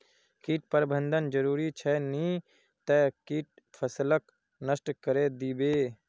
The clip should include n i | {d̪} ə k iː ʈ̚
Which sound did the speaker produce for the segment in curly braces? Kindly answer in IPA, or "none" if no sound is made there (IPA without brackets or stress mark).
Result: t̪